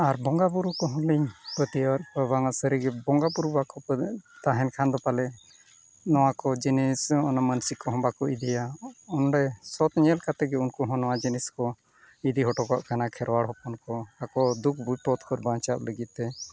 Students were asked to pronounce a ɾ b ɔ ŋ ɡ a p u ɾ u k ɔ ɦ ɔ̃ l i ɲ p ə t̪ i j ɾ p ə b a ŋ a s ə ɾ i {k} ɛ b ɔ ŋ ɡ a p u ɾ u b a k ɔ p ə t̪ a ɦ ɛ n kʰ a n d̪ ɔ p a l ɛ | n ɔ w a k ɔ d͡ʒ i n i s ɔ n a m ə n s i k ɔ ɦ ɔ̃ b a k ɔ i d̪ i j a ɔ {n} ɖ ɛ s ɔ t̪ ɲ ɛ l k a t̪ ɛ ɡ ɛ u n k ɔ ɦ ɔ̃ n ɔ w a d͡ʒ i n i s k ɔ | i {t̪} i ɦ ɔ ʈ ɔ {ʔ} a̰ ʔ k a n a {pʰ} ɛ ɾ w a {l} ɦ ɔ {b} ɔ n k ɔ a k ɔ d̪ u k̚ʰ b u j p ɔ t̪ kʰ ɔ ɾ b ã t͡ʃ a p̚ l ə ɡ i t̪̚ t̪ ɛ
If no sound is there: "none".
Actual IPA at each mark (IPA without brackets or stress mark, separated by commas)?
ɡ, n, d̪, k, kʰ, ɽ, p